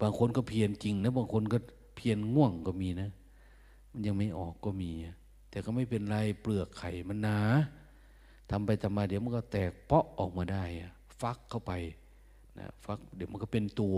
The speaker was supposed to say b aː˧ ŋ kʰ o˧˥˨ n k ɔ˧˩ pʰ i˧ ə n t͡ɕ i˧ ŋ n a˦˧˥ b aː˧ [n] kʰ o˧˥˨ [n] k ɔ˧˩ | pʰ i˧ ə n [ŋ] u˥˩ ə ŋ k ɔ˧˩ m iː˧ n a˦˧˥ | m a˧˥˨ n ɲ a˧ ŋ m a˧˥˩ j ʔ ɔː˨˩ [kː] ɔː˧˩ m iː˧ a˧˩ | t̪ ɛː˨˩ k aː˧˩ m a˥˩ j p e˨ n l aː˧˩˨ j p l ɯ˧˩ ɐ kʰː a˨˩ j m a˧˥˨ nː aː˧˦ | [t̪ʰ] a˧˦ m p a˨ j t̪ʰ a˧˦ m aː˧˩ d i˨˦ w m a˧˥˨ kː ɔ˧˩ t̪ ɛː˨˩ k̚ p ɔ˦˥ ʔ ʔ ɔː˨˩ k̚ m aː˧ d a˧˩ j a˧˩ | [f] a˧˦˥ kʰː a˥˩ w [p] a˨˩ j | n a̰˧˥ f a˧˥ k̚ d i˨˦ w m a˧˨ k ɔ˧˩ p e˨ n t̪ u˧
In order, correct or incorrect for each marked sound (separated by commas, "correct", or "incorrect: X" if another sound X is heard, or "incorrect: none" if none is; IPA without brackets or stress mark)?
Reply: incorrect: ŋ, correct, correct, correct, correct, correct, correct